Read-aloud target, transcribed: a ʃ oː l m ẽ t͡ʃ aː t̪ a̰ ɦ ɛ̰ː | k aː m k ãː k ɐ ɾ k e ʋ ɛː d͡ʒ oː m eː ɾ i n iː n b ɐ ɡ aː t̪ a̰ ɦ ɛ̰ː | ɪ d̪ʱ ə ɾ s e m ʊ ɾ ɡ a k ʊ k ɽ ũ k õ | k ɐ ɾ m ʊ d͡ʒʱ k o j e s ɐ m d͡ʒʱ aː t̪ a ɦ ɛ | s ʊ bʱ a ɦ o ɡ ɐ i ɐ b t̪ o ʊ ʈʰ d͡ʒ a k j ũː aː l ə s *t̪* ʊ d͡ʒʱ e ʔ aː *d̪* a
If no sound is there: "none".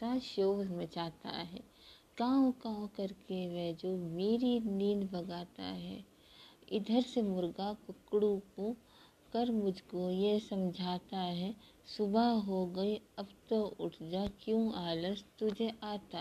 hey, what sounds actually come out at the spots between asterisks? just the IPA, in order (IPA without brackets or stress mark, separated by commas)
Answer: t̪, t̪